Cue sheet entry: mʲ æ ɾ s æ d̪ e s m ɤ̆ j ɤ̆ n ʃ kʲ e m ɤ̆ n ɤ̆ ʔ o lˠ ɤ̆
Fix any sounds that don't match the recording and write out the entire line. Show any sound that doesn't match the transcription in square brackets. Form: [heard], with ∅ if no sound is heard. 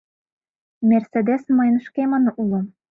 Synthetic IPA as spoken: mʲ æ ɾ s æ d̪ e s m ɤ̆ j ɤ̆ n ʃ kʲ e m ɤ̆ n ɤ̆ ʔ [u] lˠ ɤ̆